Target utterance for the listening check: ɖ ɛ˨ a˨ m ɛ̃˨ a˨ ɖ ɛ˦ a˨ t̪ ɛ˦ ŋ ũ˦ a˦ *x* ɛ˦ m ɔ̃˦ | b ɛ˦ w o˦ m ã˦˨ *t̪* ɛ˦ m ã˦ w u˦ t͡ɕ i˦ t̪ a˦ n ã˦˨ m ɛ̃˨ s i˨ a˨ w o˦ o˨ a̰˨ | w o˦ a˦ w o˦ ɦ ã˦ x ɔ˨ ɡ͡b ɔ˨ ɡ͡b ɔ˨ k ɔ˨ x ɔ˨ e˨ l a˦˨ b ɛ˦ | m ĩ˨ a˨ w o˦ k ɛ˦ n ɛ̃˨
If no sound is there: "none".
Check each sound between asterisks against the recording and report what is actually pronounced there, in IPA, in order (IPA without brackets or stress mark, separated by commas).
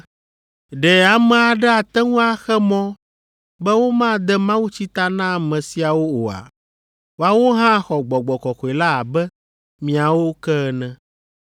x, d̪